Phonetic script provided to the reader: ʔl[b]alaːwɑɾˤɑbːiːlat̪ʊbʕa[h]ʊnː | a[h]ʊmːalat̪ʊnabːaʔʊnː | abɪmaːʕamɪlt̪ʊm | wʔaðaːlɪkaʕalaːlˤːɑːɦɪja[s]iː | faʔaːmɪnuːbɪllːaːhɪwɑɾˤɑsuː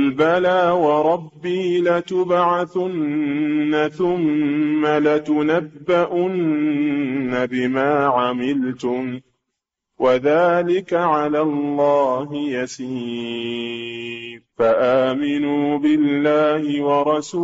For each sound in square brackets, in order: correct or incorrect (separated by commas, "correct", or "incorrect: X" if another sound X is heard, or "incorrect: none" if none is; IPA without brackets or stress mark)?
correct, incorrect: θ, incorrect: θ, correct